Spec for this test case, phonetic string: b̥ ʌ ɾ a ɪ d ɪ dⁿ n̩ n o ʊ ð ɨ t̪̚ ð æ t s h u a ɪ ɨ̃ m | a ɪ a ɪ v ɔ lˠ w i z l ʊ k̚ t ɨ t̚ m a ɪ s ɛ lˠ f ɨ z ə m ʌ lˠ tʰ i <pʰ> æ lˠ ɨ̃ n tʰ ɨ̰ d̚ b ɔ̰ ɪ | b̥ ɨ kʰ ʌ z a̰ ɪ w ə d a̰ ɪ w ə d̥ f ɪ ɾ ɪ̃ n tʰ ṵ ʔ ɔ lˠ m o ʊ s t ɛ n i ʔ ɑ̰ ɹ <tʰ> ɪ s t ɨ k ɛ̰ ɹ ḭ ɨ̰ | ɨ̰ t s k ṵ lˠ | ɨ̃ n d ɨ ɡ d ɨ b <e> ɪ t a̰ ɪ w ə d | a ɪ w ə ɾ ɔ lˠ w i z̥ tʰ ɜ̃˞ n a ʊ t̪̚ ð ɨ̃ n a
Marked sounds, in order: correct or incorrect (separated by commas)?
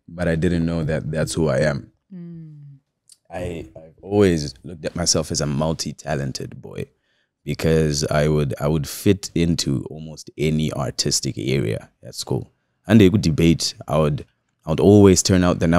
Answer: incorrect, correct, correct